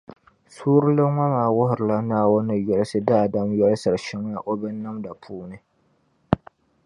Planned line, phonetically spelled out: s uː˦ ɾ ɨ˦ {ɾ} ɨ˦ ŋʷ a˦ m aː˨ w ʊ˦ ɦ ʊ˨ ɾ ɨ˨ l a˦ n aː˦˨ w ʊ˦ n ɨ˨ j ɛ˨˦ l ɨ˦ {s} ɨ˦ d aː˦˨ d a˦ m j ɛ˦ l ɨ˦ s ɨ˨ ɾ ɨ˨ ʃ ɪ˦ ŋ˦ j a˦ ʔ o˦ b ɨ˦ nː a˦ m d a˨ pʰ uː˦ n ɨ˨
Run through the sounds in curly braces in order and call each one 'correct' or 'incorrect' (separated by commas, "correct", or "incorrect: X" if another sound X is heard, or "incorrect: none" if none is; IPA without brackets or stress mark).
incorrect: l, correct